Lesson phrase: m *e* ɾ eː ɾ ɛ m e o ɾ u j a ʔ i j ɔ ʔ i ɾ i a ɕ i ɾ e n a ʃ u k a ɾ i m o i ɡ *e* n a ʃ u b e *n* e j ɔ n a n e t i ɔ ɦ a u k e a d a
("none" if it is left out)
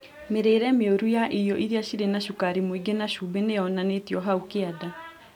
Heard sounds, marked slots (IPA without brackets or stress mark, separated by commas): e, e, n